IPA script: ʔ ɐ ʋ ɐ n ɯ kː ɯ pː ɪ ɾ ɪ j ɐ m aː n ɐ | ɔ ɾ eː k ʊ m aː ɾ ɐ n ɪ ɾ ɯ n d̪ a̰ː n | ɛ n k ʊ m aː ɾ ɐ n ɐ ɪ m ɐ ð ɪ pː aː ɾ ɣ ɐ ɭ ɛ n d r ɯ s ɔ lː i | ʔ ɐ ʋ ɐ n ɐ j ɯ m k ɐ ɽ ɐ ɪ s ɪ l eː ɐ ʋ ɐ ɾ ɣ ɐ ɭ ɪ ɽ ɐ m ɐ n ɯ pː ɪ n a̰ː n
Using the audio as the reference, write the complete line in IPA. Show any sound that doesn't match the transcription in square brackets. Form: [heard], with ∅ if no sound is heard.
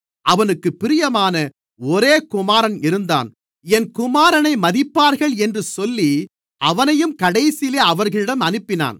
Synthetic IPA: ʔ ɐ ʋ ɐ n ɯ kː ɯ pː ɪ ɾ ɪ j ɐ m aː n ɐ | ɔ ɾ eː k ʊ m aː ɾ ɐ n ɪ ɾ ɯ n d̪ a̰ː n | ɛ n k ʊ m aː ɾ ɐ n ɐ ɪ m ɐ ð ɪ pː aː ɾ ɣ ɐ ɭ ɛ n d r ɯ s ɔ lː i | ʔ ɐ ʋ ɐ n ɐ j ɯ m k ɐ ɽ ɐ ɪ s ɪ l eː ɐ ʋ ɐ ɾ ɣ ɐ ɭ ɪ ɽ ɐ m ɐ n ɯ pː ɪ n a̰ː n